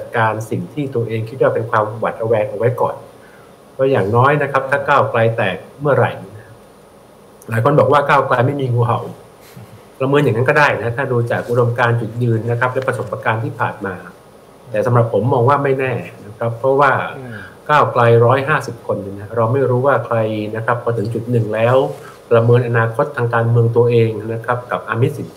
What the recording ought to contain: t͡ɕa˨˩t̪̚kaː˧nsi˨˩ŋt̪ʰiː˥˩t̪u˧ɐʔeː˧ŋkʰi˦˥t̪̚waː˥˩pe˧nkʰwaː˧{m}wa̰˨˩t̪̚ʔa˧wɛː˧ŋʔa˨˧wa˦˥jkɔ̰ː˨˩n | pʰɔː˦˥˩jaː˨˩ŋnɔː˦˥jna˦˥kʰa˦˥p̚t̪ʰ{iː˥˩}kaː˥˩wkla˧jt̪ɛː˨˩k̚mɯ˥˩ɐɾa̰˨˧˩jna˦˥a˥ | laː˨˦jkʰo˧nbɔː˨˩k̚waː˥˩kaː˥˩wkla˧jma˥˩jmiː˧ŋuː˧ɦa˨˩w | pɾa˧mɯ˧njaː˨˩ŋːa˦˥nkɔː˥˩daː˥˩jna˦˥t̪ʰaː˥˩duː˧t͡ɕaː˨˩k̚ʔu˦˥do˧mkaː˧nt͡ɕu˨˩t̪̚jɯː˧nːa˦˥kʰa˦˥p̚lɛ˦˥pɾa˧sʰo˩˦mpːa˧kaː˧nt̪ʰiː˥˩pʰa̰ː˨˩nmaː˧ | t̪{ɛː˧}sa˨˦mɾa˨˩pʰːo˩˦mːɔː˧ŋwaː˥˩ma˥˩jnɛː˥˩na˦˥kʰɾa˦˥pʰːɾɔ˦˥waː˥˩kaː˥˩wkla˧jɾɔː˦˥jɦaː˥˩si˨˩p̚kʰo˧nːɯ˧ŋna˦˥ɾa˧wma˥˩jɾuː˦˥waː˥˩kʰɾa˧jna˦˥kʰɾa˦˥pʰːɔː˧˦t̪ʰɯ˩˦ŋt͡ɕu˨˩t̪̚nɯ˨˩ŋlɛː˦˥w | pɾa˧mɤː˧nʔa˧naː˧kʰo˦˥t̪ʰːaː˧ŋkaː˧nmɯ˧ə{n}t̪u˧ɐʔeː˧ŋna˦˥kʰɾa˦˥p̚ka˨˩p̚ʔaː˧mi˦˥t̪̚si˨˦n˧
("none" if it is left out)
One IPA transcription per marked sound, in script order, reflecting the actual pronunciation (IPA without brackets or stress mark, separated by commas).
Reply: m, aː˥˩, ɛː˨˩, ŋ